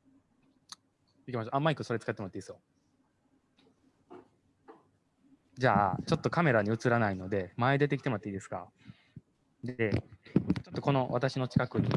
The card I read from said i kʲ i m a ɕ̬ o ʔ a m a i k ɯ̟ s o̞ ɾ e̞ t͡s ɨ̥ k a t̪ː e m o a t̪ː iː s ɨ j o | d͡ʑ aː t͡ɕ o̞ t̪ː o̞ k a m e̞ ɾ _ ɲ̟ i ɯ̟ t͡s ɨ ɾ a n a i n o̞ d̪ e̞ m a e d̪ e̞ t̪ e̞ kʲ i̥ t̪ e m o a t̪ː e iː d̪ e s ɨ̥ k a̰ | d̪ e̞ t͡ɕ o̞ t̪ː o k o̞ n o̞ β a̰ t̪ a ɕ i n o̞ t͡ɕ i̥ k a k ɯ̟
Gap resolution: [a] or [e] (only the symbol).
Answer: a